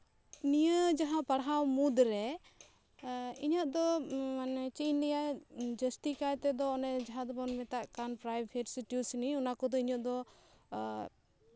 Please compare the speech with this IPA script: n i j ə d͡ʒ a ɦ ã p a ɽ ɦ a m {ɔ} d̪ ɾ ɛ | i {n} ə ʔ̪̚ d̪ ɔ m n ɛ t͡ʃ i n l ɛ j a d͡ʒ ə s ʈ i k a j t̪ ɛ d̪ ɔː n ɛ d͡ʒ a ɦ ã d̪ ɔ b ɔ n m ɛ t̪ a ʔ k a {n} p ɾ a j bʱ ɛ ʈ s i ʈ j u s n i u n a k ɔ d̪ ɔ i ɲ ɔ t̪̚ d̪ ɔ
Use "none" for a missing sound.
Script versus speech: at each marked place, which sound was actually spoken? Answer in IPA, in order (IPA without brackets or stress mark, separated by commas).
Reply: u, ɲ, n